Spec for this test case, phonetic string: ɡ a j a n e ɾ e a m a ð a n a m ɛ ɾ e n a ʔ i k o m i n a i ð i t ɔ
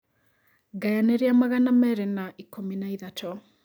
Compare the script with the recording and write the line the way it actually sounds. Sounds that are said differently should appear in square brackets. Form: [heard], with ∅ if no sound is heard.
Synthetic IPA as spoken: ɡ a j a n e ɾ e a m a [ɣ] a n a m ɛ ɾ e n a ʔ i k o m i n a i ð [a] t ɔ